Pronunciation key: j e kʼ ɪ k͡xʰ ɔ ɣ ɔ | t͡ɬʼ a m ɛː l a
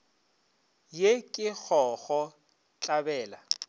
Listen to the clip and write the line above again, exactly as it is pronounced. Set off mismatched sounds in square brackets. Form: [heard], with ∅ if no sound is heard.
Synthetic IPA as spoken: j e kʼ ɪ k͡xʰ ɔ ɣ ɔ | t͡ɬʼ a [b] ɛː l a